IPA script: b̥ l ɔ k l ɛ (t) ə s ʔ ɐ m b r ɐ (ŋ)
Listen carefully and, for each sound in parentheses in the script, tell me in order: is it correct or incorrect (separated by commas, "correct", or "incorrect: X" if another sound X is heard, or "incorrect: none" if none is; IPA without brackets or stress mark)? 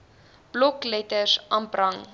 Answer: correct, correct